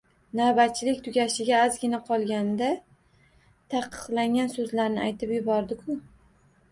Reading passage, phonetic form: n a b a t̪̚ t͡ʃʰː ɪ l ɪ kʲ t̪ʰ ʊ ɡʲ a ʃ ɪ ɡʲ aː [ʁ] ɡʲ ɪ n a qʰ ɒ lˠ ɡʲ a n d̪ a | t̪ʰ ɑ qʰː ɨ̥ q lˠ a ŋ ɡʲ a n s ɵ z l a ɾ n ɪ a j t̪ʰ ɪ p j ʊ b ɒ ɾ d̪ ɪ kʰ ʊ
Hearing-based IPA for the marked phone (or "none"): z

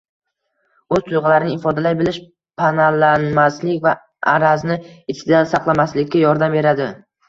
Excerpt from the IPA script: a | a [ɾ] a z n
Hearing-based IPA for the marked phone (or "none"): ɾ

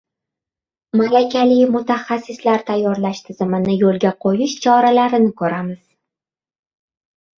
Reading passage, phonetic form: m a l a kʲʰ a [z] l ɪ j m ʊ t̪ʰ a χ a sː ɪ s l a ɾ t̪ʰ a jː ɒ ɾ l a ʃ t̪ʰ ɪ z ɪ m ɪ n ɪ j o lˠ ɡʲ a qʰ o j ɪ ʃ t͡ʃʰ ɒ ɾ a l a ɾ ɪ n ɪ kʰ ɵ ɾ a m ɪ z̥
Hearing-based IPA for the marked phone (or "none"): none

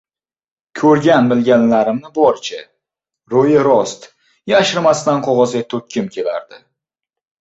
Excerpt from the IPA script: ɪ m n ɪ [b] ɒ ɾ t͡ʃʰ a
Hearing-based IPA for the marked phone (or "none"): b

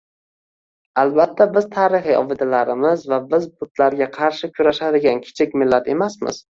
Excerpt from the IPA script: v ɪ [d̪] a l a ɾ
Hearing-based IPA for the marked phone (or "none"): d̪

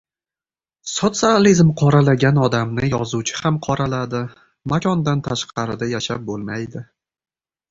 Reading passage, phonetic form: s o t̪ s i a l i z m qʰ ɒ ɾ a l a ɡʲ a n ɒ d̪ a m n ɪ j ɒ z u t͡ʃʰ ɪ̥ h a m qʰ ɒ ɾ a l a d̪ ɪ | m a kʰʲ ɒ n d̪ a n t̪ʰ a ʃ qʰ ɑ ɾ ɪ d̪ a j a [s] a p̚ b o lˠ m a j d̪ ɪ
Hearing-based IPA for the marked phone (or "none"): ʃ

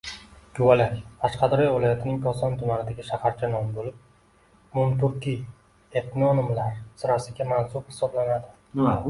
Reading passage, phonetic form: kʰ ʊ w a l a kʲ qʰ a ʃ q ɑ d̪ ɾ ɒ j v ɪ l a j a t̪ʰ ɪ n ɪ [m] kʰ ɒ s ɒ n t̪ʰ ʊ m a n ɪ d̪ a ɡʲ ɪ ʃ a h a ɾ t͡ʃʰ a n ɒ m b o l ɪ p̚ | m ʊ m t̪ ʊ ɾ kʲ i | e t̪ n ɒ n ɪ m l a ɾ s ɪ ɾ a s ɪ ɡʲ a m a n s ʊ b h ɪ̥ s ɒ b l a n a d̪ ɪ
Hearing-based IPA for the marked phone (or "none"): ŋ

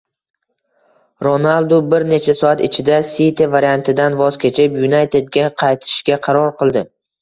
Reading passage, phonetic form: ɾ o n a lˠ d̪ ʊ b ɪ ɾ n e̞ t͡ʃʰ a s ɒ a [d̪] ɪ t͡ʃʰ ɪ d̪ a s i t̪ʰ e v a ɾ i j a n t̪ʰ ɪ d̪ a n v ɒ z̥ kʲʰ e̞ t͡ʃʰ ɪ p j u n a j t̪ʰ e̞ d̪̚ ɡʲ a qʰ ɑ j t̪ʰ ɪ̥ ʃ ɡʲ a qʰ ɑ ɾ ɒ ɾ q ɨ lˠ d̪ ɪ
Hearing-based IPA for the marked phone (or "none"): t̪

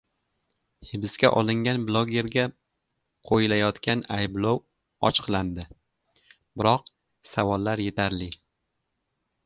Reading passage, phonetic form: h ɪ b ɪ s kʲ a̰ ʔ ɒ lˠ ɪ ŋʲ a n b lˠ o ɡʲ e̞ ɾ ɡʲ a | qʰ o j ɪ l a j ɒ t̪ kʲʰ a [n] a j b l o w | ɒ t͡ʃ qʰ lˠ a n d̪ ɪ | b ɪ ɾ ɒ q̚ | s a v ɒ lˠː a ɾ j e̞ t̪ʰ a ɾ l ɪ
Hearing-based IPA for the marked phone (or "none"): n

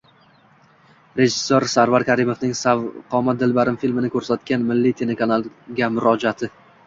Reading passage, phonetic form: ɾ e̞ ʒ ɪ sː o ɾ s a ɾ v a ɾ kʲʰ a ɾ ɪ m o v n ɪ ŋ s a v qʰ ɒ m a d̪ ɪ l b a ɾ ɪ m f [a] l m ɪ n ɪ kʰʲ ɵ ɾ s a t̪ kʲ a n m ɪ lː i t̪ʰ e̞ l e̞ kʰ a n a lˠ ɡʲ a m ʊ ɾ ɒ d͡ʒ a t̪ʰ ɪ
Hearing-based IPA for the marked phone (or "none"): i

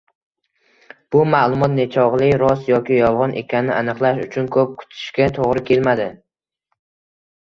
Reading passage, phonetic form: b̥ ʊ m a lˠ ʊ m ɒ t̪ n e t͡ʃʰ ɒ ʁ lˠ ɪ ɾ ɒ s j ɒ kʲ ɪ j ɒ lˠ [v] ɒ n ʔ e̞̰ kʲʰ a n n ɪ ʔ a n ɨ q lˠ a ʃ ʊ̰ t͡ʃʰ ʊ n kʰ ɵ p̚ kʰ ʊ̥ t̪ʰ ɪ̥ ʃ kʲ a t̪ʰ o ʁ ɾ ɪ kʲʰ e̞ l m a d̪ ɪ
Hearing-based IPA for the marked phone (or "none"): ʁ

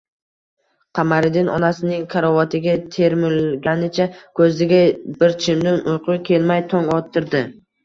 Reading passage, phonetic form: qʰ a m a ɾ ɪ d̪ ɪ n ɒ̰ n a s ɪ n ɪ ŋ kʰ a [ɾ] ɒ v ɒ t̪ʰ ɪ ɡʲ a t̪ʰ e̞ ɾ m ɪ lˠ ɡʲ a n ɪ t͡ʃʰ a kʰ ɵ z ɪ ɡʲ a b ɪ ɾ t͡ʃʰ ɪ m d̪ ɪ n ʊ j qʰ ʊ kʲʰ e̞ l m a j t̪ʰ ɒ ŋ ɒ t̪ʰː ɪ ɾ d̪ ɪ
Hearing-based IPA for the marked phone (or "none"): ɾ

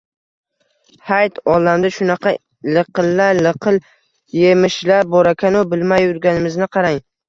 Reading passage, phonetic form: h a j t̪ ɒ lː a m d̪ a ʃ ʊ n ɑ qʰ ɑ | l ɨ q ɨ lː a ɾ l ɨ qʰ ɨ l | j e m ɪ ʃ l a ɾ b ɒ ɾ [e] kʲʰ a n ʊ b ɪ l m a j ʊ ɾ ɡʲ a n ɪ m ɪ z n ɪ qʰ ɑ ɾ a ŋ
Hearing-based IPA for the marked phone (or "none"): a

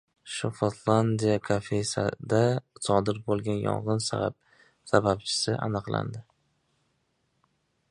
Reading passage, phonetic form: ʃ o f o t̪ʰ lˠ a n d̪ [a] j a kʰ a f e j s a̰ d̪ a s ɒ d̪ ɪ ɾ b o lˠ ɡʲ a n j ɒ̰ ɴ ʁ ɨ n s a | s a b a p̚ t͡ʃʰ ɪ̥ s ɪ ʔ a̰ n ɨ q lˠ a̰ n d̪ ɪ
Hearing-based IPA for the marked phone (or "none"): i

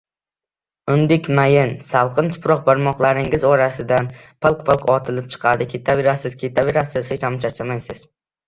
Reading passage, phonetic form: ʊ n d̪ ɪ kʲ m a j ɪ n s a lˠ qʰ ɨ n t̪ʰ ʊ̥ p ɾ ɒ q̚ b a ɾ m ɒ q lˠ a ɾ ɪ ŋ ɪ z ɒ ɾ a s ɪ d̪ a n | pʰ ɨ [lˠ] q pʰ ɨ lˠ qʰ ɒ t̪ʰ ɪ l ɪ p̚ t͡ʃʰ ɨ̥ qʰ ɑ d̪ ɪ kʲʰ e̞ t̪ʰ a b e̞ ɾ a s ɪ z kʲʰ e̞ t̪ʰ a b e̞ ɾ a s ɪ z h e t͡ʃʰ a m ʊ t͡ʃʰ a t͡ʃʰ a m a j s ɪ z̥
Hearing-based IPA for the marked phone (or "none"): lˠ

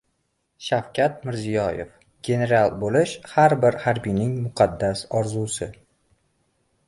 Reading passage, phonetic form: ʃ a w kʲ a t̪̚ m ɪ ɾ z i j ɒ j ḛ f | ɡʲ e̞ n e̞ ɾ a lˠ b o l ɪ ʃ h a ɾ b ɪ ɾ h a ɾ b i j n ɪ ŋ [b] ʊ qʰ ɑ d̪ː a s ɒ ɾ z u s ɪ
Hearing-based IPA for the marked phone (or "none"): m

